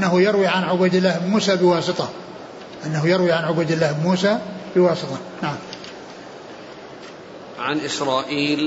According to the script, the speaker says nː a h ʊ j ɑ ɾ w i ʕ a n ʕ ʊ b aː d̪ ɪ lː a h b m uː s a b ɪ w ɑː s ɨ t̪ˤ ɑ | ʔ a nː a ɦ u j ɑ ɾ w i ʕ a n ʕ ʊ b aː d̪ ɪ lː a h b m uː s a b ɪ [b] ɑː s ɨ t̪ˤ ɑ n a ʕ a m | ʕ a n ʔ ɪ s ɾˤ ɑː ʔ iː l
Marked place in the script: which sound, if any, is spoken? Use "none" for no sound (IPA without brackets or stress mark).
w